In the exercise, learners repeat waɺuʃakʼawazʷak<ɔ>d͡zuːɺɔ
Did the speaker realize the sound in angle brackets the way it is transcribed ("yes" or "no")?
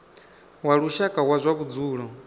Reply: no